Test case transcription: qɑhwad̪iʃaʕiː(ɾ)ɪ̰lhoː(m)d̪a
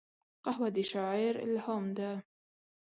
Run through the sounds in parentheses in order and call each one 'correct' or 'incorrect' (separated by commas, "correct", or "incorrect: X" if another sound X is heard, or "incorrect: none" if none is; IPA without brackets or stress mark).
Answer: correct, correct